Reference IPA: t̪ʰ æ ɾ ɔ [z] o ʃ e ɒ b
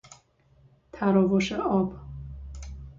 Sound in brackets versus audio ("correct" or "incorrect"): incorrect